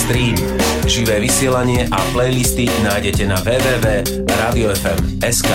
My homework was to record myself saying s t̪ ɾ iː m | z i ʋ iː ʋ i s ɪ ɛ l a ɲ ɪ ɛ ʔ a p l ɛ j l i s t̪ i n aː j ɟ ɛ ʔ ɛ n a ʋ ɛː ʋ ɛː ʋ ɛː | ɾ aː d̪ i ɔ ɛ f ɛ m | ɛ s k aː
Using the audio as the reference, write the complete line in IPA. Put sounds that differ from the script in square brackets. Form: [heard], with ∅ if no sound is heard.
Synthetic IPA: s t̪ ɾ iː m | [ʒ] i ʋ [ɛː] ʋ i s ɪ ɛ l a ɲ ɪ ɛ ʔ a p l ɛ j l i s t̪ i n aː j ɟ ɛ [c] ɛ n a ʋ ɛː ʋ ɛː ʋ ɛː | ɾ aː d̪ i ɔ ɛ f ɛ m | ɛ s k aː